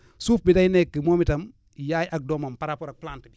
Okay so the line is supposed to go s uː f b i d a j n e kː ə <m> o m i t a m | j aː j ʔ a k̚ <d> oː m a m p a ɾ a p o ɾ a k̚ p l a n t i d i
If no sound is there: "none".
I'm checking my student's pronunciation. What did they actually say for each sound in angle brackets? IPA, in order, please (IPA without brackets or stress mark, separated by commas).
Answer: m, d